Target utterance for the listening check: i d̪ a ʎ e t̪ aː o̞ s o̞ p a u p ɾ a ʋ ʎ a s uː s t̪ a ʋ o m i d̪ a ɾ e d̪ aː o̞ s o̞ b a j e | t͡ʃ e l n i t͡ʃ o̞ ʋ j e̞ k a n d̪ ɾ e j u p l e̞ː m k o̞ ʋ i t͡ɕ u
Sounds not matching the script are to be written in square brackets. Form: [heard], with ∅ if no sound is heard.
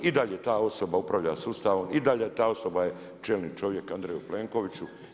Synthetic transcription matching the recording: i d̪ a ʎ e t̪ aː o̞ s o̞ [b] a u p ɾ a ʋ ʎ a s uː s t̪ a ʋ o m i d̪ a [ʎ] e [t̪] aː o̞ s o̞ b a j e | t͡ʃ e l n i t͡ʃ o̞ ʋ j e̞ k a n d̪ ɾ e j u p l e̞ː [ŋ] k o̞ ʋ i t͡ɕ u